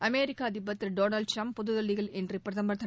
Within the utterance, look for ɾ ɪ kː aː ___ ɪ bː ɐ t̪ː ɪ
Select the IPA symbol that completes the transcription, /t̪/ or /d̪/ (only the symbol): d̪